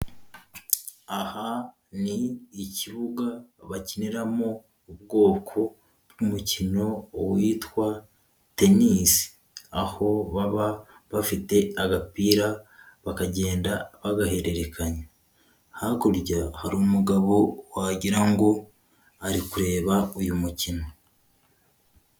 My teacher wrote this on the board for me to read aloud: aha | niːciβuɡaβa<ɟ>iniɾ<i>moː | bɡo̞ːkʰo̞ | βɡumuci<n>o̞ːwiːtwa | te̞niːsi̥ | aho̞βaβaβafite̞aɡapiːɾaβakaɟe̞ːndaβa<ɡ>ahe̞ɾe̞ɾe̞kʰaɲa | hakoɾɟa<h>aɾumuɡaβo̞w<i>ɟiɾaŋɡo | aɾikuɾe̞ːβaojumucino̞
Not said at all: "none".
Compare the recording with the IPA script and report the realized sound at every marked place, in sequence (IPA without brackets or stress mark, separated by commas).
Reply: c, a, n, ɡ, h, a